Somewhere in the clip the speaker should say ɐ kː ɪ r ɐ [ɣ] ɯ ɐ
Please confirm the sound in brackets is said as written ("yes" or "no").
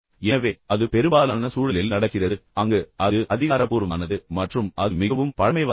no